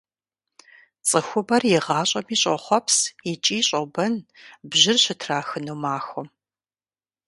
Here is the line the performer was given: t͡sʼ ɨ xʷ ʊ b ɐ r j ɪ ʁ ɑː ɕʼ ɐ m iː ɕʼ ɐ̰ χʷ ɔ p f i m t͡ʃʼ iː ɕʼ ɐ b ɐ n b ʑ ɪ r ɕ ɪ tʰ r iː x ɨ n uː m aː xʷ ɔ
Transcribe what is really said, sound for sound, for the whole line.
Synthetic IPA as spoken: t͡sʼ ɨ xʷ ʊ b ɐ r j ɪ ʁ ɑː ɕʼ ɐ m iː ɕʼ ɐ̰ χʷ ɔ p s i t͡ʃʼ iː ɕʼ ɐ b ɐ n b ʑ ɪ r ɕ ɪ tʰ r aː x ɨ n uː m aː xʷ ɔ